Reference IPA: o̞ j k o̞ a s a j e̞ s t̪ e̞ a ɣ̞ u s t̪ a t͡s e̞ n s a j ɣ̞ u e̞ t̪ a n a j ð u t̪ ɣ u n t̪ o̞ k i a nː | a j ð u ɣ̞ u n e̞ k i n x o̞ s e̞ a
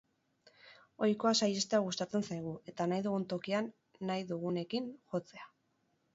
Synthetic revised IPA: o̞ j k o̞ a s a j e̞ s t̪ e̞ a ɣ̞ u s t̪ a t͡s e̞ n s a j ɣ̞ u e̞ t̪ a n a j ð u ɣ u n t̪ o̞ k i a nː | a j ð u ɣ̞ u n e̞ k i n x o̞ t͡s e̞ a

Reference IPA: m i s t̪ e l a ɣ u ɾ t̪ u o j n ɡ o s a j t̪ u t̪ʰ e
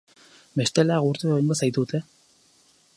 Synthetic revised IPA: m e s t̪ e l a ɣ u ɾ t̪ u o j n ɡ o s a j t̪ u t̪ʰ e

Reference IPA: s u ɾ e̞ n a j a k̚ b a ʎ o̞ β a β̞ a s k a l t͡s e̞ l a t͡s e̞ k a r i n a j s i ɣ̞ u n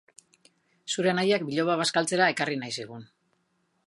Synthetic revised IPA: s u ɾ e̞ n a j a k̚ b i ʎ o̞ β a β̞ a s k a l t͡s e̞ ɾ a e̞ k a r i n a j s i ɣ̞ u n

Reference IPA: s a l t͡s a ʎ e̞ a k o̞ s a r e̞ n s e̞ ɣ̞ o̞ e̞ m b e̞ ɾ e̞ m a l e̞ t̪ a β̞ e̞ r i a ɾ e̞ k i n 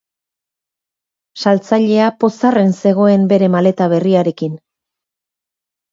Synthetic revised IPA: s a l t͡s a ʎ e̞ a p o̞ s a r e̞ n s e̞ ɣ̞ o̞ e̞ m b e̞ ɾ e̞ m a l e̞ t̪ a β̞ e̞ r i a ɾ e̞ k i n

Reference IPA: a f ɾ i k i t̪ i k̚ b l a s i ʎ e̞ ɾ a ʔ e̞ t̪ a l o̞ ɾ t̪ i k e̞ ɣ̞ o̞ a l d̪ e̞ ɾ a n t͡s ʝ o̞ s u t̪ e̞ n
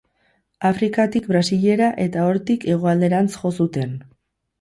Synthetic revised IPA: a f ɾ i k a t̪ i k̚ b ɾ a s i ʎ e̞ ɾ a ʔ e̞ t̪ a o̞ ɾ t̪ i k e̞ ɣ̞ o̞ a l d̪ e̞ ɾ a n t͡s ʝ o̞ s u t̪ e̞ n

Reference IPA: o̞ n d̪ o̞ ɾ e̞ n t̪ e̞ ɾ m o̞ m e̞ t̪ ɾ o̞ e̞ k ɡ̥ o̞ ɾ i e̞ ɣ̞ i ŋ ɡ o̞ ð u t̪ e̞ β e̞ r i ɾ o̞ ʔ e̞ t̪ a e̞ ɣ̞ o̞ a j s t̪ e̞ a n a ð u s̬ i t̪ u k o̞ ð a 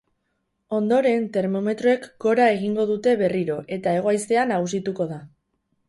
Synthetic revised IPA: o̞ n d̪ o̞ ɾ e̞ n t̪ e̞ ɾ m o̞ m e̞ t̪ ɾ o̞ e̞ k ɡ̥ o̞ ɾ a e̞ ɣ̞ i ŋ ɡ o̞ ð u t̪ e̞ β e̞ r i ɾ o̞ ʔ e̞ t̪ a e̞ ɣ̞ o̞ a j s t̪ e̞ a n a ɣ u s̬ i t̪ u k o̞ ð a

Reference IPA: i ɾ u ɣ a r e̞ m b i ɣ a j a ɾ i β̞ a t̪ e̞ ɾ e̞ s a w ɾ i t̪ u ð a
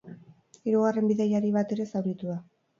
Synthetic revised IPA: i ɾ u ɣ a r e̞ m b i ð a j a ɾ i β̞ a t̪ e̞ ɾ e̞ s a w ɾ i t̪ u ð a

